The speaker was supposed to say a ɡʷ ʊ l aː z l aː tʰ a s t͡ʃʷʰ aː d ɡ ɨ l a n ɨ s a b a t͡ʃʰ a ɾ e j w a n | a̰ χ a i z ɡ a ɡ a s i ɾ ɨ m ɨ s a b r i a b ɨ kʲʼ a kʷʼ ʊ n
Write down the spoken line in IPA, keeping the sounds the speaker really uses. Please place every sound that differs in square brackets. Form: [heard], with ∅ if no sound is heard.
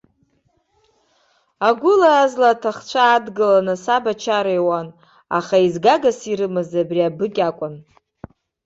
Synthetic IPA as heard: a ɡʷ ʊ l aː z l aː tʰ a [χ] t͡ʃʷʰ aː d ɡ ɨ l a n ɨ s a b a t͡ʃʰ a ɾ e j w a n | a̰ χ a i z ɡ a ɡ a s i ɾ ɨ m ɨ [z] a b r i a b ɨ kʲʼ a kʷʼ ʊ n